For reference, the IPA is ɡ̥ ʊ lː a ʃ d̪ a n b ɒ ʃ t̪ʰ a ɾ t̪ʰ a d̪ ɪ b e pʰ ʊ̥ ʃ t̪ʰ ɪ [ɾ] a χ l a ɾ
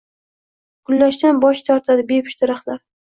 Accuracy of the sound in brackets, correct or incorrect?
correct